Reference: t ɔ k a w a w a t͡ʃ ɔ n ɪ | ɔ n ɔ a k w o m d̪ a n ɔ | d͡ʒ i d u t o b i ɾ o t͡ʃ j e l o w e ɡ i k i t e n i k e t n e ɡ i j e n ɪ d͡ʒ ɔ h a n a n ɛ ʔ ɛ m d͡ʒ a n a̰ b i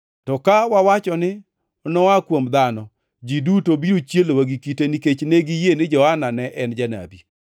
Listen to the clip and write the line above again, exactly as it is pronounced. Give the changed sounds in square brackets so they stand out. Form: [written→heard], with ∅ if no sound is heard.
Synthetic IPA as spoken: t ɔ k a w a w a t͡ʃ ɔ n ɪ | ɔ n ɔ a k w o m d̪ a n ɔ | d͡ʒ i d u t o b i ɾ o t͡ʃ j e l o w [e→a] ɡ i k i t e n i k e [t→t͡ʃ] n e ɡ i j e n ɪ d͡ʒ ɔ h a n a n ɛ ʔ ɛ [m→n] d͡ʒ a n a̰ b i